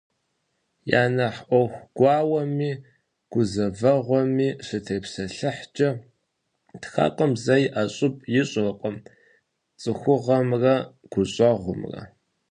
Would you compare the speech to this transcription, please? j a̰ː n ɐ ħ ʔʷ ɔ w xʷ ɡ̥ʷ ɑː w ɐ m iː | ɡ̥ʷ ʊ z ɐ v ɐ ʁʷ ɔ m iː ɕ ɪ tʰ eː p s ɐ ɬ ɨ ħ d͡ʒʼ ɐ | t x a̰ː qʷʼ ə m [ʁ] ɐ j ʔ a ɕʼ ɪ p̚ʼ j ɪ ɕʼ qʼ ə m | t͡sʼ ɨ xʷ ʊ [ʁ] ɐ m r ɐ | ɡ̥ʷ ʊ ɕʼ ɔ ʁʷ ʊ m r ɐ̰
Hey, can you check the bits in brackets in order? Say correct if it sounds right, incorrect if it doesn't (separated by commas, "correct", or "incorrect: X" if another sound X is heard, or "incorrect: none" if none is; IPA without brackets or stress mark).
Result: incorrect: z, correct